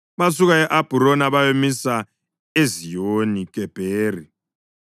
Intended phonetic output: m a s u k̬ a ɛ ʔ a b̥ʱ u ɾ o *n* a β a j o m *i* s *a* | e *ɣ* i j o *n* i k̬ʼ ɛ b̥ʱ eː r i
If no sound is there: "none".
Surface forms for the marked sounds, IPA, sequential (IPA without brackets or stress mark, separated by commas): n, i, a, z, n